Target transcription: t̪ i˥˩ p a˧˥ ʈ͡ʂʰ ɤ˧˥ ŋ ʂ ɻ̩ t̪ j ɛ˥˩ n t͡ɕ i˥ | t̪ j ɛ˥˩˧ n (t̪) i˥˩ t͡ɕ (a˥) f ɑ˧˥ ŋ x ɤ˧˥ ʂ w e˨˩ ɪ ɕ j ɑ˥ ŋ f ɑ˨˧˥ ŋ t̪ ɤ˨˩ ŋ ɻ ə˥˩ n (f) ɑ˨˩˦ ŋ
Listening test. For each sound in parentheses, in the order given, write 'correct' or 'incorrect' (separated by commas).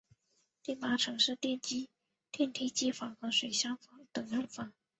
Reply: incorrect, incorrect, correct